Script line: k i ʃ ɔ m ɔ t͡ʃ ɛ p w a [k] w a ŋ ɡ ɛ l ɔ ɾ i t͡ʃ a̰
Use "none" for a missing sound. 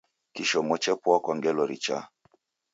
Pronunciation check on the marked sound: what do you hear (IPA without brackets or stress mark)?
k